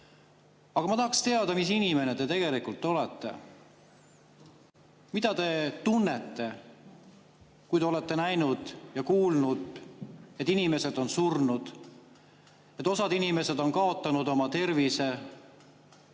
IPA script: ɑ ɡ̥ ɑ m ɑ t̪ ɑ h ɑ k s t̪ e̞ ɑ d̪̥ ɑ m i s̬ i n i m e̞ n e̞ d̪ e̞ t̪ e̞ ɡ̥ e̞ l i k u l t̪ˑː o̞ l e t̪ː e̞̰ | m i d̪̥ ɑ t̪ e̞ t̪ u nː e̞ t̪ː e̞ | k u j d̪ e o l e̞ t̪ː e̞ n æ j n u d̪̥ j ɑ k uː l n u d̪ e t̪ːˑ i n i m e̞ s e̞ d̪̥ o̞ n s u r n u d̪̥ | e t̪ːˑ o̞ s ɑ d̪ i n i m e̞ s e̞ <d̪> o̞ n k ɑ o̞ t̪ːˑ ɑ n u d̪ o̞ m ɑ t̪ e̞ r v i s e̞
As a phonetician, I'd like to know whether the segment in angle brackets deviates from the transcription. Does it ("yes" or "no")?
no